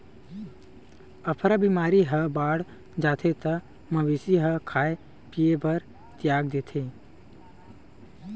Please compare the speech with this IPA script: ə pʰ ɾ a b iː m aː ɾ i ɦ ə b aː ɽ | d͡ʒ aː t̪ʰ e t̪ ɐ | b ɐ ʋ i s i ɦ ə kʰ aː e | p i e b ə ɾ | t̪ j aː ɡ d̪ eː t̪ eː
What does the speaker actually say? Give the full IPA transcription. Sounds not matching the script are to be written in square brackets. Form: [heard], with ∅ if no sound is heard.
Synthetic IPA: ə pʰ ɾ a b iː m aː ɾ i ɦ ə b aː ɽ | d͡ʒ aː t̪ʰ e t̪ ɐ | [m] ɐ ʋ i s i ɦ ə kʰ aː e | p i e b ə ɾ | t̪ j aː ɡ d̪ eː [t̪ʰ] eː